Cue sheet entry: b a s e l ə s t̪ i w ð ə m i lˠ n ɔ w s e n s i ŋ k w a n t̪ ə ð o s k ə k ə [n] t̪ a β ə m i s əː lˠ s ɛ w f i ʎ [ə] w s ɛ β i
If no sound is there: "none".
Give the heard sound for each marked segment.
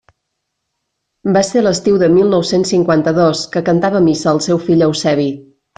n, ə

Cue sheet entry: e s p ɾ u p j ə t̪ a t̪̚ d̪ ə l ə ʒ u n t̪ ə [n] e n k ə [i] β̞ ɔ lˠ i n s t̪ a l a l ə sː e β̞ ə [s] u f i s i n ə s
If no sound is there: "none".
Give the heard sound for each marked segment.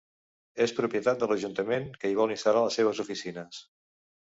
m, i, z

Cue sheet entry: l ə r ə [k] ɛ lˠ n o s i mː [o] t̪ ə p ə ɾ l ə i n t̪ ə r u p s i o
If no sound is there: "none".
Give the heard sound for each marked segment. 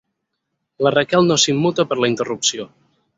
k, u

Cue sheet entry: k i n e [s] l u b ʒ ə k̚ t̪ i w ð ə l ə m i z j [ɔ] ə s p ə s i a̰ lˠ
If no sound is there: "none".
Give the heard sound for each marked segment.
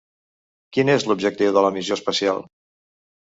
z, o

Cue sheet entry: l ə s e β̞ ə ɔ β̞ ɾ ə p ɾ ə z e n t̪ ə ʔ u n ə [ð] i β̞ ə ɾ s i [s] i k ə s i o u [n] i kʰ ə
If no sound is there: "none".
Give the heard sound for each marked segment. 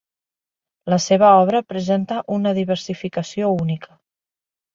ð, f, n

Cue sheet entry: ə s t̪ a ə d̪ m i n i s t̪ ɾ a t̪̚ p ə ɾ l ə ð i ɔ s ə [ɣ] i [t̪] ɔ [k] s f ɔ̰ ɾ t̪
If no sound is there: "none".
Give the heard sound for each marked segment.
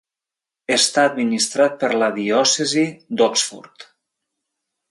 z, d̪, k

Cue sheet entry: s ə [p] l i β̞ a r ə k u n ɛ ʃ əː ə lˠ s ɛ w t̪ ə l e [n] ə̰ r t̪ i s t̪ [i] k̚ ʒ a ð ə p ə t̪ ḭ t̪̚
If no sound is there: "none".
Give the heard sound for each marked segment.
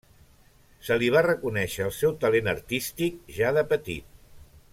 none, n, i

